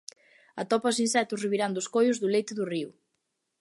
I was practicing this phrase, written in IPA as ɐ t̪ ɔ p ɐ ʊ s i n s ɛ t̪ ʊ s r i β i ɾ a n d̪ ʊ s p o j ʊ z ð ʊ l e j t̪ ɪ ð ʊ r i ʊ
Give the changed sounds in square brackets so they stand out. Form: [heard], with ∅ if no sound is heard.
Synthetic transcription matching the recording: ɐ t̪ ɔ p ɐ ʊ s i n s ɛ t̪ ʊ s r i β i ɾ a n d̪ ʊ s [k] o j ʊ z ð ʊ l e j t̪ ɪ ð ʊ r i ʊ